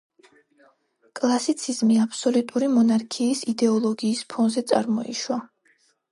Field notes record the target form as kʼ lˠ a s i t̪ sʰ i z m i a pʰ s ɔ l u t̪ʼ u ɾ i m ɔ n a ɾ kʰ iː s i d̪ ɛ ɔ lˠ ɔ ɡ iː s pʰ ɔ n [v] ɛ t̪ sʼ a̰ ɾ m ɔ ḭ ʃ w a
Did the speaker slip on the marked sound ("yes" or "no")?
yes